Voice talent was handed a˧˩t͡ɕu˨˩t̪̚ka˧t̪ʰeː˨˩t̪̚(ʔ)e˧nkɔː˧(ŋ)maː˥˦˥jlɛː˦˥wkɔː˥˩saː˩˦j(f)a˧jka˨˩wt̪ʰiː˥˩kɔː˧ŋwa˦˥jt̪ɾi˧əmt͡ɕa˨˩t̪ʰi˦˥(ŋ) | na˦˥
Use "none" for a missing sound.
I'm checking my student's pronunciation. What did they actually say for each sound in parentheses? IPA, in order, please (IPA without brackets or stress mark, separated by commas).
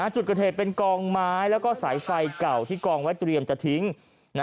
p, ŋ, f, ŋ